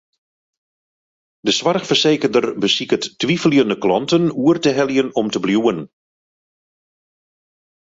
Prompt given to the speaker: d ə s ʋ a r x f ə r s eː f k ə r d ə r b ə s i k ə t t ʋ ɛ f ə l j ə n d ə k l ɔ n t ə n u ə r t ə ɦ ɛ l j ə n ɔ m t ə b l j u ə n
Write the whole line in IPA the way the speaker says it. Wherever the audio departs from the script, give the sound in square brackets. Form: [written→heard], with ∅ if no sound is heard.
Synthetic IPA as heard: d ə s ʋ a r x f ə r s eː [f→∅] k ə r d ə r b ə s i k ə t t ʋ [ɛ→i] f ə l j ə n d ə k l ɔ n t ə n u ə r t ə ɦ ɛ l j ə n ɔ m t ə b l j u ə n